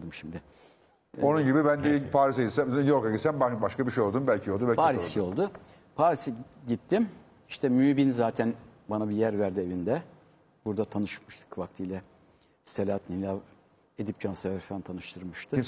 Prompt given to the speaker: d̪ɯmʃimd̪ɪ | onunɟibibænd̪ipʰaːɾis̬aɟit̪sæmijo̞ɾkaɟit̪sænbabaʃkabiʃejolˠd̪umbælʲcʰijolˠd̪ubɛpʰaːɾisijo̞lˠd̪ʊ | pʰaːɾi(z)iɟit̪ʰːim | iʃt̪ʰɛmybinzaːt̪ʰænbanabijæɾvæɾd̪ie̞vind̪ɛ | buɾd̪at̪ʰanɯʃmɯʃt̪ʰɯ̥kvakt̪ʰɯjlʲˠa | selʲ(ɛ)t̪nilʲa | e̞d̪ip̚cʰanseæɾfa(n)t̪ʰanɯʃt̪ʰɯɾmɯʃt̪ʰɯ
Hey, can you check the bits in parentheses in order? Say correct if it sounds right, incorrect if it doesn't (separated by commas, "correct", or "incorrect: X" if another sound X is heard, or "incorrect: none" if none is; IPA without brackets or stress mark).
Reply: incorrect: s, incorrect: a, correct